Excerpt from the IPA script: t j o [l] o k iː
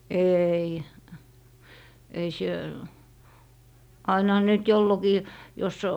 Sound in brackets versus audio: incorrect: lː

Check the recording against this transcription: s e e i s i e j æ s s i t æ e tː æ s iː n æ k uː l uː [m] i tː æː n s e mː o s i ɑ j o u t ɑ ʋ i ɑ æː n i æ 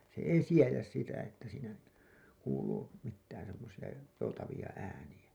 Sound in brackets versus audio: correct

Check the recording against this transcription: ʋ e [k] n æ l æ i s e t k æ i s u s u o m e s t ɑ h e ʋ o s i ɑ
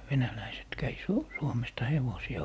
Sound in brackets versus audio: incorrect: none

